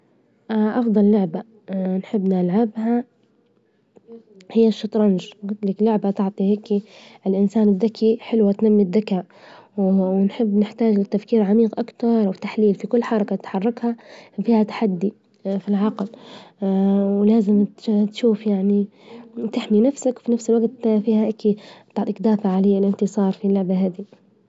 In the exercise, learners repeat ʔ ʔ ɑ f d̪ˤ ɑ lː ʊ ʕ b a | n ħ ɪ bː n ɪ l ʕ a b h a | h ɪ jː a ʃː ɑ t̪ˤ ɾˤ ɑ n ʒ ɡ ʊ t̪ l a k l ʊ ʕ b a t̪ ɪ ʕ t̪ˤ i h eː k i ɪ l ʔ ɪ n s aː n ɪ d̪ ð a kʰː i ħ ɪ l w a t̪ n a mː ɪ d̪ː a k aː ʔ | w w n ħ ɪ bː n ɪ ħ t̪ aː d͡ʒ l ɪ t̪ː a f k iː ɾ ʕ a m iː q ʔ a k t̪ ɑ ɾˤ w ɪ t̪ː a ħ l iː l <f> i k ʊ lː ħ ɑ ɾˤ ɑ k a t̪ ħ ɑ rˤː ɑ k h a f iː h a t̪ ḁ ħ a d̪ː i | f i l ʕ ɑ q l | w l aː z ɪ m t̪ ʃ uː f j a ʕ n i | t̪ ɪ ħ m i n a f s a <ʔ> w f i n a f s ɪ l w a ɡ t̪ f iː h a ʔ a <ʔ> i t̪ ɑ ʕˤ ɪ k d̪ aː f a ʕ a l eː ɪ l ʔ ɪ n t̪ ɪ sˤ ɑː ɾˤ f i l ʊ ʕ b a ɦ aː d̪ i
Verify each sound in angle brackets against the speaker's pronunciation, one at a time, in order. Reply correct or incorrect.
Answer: correct, incorrect: k, incorrect: k

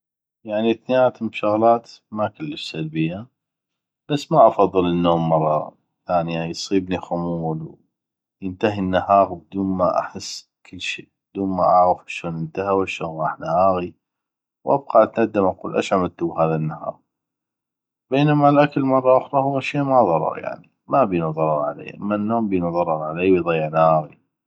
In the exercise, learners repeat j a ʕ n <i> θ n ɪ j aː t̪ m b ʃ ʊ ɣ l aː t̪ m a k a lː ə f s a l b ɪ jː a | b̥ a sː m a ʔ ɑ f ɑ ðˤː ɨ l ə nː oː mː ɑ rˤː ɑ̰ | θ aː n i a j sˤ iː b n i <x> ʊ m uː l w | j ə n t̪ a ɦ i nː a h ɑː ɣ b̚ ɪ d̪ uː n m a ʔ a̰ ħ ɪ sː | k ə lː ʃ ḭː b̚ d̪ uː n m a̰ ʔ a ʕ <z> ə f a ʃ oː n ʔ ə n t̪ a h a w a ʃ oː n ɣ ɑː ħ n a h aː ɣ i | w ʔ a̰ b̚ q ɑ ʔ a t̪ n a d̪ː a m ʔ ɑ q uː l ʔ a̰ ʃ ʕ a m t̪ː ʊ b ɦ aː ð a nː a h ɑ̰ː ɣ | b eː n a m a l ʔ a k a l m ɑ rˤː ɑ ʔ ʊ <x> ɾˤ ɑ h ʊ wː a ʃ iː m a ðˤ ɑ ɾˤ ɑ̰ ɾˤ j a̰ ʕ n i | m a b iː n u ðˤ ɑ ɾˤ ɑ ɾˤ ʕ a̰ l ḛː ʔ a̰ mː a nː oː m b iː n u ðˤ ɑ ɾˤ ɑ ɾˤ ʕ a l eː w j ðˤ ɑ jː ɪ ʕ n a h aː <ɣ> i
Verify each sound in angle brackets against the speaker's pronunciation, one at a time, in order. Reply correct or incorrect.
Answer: correct, correct, incorrect: ɣ, correct, correct

